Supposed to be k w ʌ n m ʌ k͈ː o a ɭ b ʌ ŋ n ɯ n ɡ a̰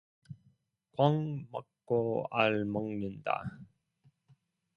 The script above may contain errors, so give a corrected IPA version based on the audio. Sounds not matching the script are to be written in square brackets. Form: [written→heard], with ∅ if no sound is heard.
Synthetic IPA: k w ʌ [n→ŋ] m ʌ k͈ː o a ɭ [b→m] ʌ ŋ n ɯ n [ɡ→d] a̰